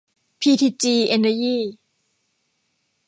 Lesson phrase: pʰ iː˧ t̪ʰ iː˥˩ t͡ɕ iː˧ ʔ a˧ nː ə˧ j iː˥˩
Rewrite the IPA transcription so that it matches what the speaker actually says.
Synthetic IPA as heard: pʰ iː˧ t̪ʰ iː˧ t͡ɕ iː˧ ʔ e˧ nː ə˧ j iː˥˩